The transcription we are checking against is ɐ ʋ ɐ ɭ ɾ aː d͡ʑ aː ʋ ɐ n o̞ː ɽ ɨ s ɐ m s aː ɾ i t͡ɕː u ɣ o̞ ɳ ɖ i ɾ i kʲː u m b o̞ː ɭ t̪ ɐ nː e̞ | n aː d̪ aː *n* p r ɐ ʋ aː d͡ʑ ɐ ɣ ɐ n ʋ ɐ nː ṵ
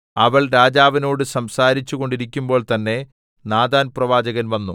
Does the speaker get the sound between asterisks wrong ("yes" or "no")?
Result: no